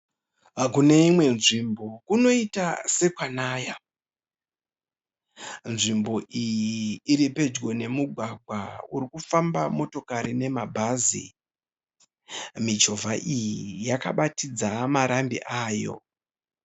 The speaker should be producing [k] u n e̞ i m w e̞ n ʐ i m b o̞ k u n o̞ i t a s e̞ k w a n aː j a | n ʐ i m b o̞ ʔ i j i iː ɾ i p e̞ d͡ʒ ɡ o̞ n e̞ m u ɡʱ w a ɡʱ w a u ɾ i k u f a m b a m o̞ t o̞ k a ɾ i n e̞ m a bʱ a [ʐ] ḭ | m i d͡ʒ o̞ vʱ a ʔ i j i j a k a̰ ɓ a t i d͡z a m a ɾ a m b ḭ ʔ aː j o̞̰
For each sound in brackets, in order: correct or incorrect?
correct, incorrect: z

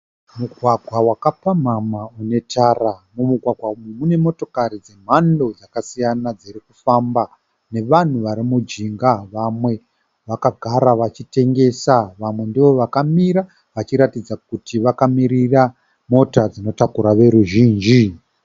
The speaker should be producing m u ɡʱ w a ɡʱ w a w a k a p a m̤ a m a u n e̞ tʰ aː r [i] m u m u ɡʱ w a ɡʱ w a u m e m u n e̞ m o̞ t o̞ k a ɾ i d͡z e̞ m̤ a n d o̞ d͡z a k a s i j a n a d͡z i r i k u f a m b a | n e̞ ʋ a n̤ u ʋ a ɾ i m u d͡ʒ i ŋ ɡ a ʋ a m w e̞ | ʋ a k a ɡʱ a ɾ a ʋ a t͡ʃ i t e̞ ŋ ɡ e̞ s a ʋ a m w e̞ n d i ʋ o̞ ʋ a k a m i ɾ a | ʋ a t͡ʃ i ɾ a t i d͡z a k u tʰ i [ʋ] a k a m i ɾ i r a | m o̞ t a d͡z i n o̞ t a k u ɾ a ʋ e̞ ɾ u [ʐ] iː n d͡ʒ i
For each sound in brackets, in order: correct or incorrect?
incorrect: a, correct, incorrect: ʒ

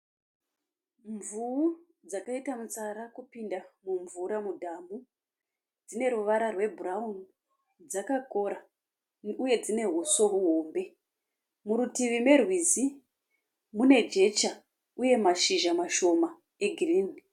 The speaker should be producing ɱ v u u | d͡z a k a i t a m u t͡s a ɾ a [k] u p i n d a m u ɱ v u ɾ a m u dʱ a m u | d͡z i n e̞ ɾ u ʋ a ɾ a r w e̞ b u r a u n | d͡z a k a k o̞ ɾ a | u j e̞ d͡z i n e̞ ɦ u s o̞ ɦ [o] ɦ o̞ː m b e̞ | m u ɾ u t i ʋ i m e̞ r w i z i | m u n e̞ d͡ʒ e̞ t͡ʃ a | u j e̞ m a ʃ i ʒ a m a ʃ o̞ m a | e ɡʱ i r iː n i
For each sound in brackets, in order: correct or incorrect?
correct, incorrect: u

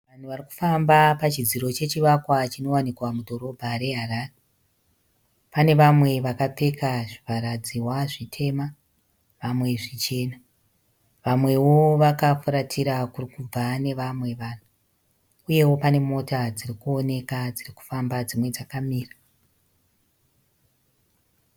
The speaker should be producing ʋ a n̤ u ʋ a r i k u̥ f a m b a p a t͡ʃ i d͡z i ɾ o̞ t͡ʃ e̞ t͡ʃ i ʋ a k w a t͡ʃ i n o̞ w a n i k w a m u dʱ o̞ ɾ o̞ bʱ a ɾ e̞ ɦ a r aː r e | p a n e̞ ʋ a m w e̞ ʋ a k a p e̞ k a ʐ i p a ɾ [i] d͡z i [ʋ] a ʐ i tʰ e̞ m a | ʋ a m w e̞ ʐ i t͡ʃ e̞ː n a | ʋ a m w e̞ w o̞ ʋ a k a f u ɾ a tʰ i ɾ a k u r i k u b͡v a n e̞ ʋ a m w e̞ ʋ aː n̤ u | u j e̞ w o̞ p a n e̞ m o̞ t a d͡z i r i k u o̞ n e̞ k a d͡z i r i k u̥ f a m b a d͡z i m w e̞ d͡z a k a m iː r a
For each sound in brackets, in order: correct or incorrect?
incorrect: a, incorrect: w

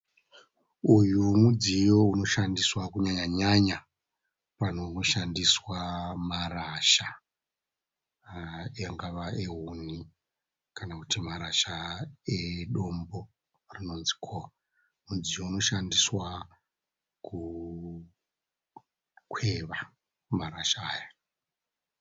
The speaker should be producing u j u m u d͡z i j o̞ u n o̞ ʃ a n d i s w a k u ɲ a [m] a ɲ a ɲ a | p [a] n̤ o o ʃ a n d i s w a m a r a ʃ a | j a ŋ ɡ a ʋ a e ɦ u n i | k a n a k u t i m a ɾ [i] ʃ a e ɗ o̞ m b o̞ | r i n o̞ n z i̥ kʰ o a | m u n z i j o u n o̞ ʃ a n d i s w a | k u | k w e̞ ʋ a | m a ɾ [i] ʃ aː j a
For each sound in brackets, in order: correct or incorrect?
incorrect: ɲ, correct, incorrect: a, incorrect: a

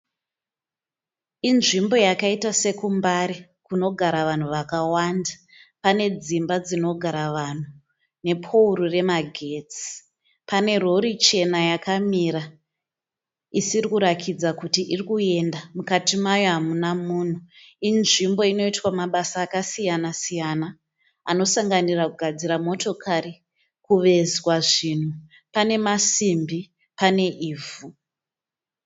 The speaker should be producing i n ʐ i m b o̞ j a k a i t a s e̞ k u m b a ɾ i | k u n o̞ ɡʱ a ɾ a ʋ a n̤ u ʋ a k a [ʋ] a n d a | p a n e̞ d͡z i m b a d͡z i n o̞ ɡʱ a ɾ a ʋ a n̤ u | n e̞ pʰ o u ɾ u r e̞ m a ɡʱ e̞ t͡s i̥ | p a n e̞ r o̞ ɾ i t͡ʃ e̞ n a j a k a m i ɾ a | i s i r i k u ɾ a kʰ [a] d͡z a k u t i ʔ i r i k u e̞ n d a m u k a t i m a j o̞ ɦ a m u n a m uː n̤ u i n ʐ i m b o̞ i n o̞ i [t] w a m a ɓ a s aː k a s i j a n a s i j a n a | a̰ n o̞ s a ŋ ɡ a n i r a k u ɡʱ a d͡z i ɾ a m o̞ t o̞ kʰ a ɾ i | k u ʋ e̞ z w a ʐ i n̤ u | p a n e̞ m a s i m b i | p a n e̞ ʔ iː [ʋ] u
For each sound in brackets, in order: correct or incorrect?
incorrect: w, incorrect: i, correct, incorrect: v

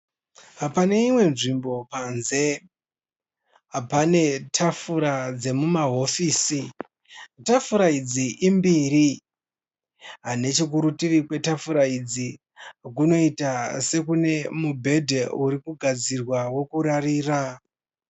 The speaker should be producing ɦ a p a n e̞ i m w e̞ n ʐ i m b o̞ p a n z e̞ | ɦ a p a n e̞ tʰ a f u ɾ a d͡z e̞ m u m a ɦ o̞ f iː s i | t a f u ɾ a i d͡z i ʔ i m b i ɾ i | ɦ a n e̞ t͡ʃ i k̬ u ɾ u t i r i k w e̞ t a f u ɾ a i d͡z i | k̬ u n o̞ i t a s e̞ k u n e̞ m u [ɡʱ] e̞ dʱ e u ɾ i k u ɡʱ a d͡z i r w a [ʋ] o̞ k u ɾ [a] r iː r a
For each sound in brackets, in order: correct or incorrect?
incorrect: bʱ, incorrect: w, correct

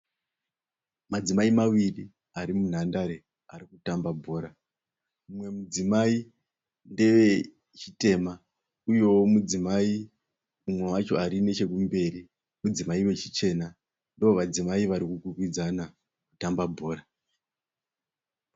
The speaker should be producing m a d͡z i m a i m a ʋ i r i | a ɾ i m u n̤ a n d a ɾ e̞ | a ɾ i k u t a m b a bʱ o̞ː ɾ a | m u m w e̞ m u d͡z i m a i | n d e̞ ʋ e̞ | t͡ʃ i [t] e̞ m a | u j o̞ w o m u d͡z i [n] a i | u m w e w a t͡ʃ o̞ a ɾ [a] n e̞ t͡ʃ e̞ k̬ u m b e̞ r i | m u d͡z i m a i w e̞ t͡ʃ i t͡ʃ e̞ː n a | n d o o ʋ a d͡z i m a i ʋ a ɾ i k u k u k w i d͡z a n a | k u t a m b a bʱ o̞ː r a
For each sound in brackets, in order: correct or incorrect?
correct, incorrect: m, incorrect: i

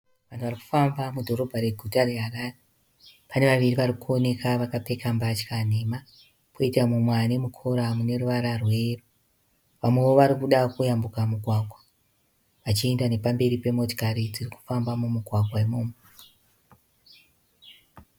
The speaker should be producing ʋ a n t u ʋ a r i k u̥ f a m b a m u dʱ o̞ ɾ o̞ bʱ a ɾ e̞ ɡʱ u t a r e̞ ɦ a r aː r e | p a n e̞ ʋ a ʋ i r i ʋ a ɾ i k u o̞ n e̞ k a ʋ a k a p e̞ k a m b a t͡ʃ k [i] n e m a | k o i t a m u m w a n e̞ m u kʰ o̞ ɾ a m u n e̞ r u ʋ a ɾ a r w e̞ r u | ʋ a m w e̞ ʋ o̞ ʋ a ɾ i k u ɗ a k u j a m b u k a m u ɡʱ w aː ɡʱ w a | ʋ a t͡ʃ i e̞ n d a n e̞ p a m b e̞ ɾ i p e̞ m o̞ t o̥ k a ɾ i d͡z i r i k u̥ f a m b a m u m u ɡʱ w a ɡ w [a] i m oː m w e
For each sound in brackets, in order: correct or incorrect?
incorrect: a, correct

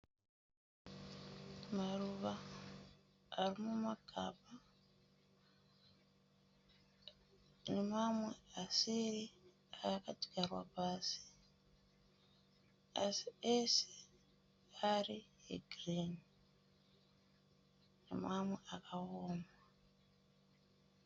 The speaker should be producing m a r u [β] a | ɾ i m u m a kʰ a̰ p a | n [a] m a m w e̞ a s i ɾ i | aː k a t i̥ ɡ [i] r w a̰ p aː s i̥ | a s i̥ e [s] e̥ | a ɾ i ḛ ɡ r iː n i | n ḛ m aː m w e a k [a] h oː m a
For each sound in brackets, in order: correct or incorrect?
correct, incorrect: e, incorrect: a, correct, correct

